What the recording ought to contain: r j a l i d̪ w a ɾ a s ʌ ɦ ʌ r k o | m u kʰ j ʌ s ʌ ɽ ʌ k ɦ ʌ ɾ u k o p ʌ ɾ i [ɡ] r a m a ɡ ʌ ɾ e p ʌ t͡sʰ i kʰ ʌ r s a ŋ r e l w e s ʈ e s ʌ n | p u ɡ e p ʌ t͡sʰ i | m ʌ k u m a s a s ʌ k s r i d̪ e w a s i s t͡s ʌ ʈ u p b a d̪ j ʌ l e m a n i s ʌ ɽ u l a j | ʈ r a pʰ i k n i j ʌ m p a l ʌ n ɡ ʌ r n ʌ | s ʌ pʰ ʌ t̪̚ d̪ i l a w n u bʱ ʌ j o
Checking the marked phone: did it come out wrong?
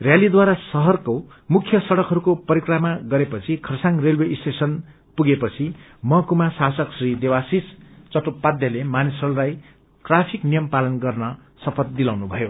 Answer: yes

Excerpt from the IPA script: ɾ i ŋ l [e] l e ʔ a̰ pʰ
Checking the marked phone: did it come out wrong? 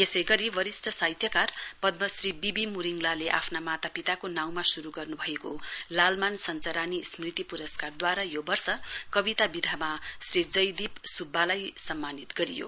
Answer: yes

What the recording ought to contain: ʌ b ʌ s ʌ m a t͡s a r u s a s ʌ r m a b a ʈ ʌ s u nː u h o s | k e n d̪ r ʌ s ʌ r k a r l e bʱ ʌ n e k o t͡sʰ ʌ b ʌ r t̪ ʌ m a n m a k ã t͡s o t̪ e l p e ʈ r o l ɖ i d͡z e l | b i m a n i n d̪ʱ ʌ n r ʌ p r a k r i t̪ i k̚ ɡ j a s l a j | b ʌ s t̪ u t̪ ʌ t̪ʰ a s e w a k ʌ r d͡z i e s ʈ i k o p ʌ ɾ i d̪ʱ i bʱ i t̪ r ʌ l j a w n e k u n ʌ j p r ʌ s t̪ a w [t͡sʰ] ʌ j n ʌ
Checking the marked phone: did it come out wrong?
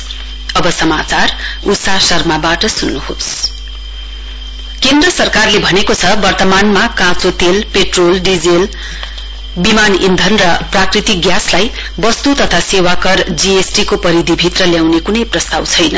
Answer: no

